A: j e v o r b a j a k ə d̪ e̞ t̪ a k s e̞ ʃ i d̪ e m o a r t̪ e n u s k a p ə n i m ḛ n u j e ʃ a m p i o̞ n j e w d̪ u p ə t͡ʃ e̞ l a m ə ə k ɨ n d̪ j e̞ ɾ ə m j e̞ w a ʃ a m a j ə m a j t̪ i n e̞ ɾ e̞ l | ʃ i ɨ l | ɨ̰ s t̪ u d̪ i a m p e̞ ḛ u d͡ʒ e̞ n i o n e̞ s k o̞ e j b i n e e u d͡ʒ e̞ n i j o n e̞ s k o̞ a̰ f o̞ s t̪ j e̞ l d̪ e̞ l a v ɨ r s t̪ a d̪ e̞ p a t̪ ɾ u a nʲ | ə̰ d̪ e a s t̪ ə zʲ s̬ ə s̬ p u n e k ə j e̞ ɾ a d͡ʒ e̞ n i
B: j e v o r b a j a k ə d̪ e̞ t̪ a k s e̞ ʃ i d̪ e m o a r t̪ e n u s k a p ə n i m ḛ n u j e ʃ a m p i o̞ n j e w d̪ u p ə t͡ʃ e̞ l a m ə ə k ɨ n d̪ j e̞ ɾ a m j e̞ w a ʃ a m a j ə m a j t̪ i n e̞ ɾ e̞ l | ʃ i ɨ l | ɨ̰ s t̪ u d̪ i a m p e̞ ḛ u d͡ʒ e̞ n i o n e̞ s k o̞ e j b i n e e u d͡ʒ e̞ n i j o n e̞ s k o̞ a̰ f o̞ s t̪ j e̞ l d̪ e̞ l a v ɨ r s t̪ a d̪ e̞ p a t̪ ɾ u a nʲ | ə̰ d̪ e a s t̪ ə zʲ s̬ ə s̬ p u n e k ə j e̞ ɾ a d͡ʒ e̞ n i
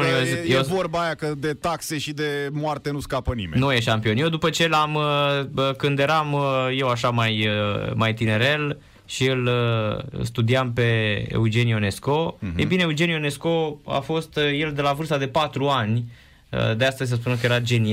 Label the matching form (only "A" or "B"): B